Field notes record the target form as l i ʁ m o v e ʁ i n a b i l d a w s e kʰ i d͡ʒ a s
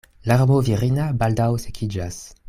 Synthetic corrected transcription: l a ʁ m o v i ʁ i n a b a l d a w s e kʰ i d͡ʒ a s